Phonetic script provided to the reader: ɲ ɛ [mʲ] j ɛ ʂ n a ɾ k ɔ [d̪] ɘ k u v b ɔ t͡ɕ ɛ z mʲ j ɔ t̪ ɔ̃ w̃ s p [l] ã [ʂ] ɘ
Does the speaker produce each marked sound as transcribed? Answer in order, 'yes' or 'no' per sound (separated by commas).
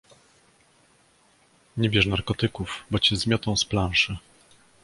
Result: no, no, yes, yes